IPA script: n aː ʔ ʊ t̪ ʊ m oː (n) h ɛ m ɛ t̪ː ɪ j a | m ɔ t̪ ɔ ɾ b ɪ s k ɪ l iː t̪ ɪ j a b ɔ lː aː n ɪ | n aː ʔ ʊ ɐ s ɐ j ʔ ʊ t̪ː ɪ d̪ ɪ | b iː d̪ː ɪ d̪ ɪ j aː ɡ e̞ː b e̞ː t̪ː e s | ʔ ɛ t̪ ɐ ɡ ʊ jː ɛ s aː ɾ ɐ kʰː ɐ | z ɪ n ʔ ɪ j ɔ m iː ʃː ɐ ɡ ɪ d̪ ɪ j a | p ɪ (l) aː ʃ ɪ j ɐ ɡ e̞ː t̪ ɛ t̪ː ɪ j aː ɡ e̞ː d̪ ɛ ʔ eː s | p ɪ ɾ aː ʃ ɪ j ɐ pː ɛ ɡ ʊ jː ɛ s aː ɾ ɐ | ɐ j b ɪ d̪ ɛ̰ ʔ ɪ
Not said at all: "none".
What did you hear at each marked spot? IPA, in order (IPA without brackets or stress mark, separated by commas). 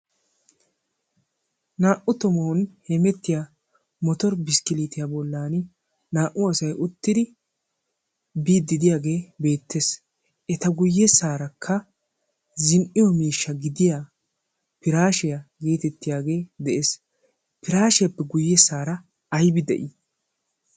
n, ɾ